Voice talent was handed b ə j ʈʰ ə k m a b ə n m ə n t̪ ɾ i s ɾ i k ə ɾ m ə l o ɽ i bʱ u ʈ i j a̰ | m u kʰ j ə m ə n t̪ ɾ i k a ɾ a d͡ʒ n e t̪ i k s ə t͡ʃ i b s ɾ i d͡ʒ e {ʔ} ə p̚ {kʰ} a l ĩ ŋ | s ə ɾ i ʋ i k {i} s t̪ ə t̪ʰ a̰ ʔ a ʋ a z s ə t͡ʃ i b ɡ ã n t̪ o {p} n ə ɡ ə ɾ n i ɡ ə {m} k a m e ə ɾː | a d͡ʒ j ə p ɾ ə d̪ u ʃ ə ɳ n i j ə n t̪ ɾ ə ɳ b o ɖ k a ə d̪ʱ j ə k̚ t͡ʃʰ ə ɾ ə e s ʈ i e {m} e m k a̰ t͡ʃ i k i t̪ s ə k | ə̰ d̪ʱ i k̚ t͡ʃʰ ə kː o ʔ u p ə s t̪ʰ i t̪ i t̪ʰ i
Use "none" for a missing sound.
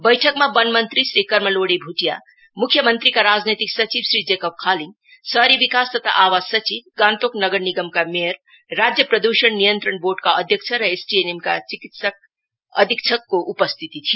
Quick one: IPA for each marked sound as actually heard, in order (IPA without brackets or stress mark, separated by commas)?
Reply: k, kʰ, a, k, m, n